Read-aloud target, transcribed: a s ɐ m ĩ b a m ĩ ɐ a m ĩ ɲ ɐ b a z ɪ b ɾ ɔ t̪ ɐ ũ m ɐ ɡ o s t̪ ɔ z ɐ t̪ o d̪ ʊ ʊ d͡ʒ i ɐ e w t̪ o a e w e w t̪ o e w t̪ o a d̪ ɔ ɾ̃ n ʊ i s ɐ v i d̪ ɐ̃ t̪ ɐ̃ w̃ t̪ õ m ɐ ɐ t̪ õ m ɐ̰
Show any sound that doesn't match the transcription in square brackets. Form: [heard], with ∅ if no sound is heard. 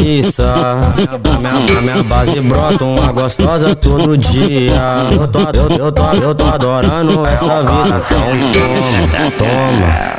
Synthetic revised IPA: [i] s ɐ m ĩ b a m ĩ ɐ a m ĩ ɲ ɐ b a z ɪ b ɾ ɔ t̪ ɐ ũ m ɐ ɡ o s t̪ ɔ z ɐ t̪ o d̪ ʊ ʊ d͡ʒ i ɐ e w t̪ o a e w e w t̪ o e w t̪ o a d̪ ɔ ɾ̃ n ʊ [ɛ] s ɐ v i d̪ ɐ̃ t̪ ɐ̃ w̃ t̪ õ m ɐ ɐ t̪ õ m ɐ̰